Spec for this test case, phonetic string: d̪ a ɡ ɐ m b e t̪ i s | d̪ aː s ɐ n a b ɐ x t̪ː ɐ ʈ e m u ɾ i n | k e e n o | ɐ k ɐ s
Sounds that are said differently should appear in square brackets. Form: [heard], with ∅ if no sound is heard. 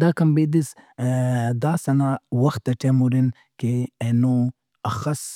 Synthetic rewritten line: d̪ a [k] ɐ m b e [d̪] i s | d̪ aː s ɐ n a [w] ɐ x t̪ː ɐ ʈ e m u ɾ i n | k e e n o | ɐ [x] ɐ s